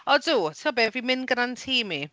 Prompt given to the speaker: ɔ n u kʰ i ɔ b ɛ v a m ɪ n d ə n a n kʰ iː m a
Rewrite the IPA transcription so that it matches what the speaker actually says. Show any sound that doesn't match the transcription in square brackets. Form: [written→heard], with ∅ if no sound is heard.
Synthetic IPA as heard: ɔ [n→d] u [kʰ→tʰ] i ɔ b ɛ v [a→i] m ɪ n [d→ɡ] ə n a n [kʰ→tʰ] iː m [a→i]